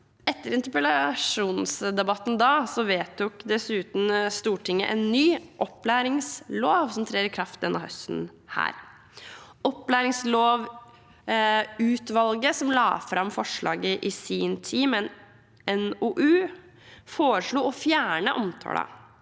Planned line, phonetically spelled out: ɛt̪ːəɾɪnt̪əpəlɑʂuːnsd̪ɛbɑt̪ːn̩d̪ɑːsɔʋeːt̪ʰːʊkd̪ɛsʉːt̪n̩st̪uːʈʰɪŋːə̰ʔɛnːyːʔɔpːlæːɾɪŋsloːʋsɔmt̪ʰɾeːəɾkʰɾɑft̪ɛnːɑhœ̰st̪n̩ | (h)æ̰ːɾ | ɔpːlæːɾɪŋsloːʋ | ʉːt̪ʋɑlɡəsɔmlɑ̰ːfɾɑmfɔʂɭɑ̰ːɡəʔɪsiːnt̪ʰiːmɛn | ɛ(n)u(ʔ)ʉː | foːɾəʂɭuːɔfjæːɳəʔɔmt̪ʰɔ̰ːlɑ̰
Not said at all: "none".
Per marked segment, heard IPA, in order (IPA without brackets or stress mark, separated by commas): h, n, ʔ